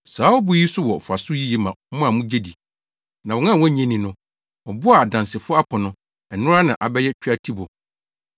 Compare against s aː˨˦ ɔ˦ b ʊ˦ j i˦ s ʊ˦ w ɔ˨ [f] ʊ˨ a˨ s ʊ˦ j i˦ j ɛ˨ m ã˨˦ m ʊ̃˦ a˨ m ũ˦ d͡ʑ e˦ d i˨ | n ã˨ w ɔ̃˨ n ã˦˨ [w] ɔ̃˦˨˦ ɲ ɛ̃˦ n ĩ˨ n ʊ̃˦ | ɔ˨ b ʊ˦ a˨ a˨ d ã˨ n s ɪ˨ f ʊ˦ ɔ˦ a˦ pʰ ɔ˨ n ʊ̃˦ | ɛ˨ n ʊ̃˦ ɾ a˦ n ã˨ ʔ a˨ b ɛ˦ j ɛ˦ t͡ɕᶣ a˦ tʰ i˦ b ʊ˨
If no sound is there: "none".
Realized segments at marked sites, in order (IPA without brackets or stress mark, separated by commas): f, w